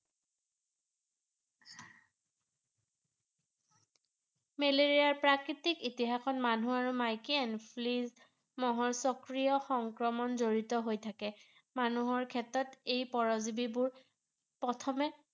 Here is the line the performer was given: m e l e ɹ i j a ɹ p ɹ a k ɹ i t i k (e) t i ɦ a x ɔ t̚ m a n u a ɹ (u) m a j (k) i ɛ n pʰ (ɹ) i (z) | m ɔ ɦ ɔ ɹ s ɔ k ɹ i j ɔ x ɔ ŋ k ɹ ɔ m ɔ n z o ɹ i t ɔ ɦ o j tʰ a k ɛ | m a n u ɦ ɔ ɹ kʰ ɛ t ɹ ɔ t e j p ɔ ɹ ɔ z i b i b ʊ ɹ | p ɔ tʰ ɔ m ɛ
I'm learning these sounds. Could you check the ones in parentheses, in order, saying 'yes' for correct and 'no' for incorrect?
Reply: no, yes, yes, no, yes

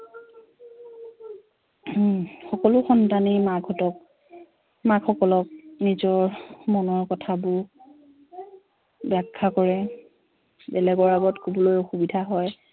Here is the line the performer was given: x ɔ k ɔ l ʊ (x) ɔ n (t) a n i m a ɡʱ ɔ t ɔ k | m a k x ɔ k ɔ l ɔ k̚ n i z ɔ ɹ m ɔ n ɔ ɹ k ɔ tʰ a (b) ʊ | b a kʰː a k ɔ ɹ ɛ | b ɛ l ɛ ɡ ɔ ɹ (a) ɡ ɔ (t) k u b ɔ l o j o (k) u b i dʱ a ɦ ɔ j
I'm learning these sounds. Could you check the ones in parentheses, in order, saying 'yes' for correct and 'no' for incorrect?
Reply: yes, yes, yes, yes, yes, no

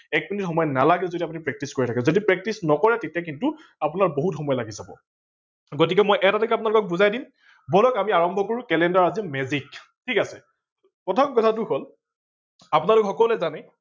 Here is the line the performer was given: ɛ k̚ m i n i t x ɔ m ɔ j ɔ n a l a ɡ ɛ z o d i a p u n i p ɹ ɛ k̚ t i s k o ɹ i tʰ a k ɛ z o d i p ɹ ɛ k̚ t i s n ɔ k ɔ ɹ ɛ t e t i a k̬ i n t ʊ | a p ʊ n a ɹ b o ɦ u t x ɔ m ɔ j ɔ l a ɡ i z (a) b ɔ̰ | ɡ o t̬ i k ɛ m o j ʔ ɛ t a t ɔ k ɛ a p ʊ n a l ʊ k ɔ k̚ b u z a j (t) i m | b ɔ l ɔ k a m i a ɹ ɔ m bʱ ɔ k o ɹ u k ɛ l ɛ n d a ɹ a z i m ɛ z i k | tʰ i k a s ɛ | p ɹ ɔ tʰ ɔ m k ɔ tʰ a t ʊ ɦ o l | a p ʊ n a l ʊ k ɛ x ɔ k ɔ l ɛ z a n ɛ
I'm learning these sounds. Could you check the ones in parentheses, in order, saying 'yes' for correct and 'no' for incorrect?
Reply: yes, no

